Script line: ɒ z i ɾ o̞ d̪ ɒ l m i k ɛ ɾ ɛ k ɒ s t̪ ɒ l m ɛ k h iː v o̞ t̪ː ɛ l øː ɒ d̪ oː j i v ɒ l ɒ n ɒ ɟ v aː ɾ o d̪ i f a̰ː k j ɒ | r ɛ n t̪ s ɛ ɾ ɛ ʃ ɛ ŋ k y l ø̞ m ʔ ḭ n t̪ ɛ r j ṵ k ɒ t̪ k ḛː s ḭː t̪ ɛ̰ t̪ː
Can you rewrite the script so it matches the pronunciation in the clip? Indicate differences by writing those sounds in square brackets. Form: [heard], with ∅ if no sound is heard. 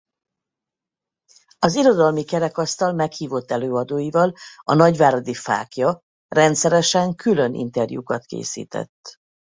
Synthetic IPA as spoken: ɒ z i ɾ o̞ d̪ ɒ l m i k ɛ ɾ ɛ k ɒ s t̪ ɒ l m ɛ k h iː v o̞ t̪ː ɛ l øː ɒ d̪ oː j i v ɒ l ɒ n ɒ ɟ v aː ɾ o d̪ i f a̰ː k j ɒ | r ɛ n t̪ s ɛ ɾ ɛ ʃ ɛ ŋ k y l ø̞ [n] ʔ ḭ n t̪ ɛ r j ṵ k ɒ t̪ k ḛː s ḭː t̪ ɛ̰ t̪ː